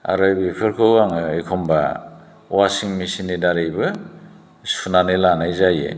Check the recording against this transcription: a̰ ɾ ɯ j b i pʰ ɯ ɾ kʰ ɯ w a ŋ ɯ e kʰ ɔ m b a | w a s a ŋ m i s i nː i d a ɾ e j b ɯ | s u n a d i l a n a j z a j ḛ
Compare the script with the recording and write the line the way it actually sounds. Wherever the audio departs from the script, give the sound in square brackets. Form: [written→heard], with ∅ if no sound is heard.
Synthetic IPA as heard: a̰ ɾ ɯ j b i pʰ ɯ ɾ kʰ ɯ w a ŋ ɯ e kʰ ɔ m b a | w a s [a→i] ŋ m i s i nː i d a ɾ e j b ɯ | s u n a [d→n] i l a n a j z a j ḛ